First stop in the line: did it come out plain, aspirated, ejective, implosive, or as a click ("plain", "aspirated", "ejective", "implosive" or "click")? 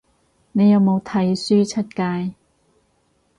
aspirated